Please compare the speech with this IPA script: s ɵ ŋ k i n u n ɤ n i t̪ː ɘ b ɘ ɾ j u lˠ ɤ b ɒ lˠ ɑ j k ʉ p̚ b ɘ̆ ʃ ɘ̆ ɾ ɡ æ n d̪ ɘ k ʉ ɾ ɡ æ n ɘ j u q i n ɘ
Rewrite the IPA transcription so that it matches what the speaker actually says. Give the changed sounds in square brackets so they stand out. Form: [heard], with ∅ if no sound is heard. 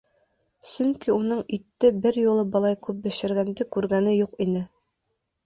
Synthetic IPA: s ɵ ŋ k i [∅] u n ɤ [ɴ] i t̪ː ɘ b ɘ ɾ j u lˠ ɤ b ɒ lˠ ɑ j k ʉ p̚ b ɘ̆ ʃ ɘ̆ ɾ ɡ æ n d̪ ɘ k ʉ ɾ ɡ æ n ɘ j u q i n ɘ